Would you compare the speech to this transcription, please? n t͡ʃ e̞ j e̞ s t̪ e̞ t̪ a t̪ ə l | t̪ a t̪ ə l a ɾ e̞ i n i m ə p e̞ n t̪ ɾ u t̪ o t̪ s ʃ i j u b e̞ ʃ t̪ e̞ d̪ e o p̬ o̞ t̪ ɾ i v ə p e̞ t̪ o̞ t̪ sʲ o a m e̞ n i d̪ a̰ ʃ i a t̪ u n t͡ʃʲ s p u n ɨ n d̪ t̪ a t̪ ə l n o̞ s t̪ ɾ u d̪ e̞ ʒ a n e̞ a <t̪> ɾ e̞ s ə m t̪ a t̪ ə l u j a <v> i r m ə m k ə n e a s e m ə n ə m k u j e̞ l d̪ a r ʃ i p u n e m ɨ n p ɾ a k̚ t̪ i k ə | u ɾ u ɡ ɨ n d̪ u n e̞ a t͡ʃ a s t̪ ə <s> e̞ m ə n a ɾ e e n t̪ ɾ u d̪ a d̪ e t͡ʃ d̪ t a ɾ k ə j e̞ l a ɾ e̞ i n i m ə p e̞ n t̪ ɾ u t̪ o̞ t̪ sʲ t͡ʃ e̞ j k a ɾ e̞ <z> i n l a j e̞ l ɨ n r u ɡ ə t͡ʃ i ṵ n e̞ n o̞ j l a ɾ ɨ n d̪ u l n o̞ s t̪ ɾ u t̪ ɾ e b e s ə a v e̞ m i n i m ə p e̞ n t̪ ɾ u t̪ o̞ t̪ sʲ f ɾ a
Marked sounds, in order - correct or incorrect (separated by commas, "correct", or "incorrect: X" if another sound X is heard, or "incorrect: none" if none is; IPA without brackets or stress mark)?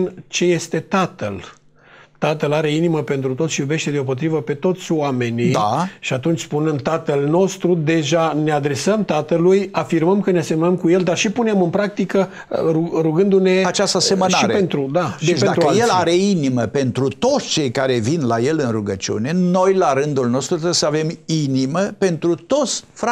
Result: incorrect: d̪, incorrect: f, correct, incorrect: v